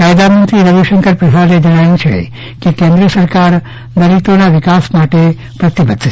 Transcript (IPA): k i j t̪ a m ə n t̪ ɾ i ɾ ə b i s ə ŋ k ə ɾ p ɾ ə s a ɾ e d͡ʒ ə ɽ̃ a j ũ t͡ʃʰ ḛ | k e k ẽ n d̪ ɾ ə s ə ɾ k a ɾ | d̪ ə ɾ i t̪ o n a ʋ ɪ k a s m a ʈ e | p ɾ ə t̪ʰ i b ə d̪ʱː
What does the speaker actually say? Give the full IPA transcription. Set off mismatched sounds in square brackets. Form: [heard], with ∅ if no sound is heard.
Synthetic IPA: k [a] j [d̪] a m ə n t̪ ɾ i ɾ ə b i [ʃ] ə ŋ k ə ɾ p ɾ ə s a ɾ e d͡ʒ ə ɽ̃ a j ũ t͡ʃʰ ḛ | k e k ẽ n d̪ ɾ ə s ə ɾ k a ɾ | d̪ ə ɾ i t̪ o n a ʋ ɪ k a s m a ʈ e | p ɾ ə [t̪] i b ə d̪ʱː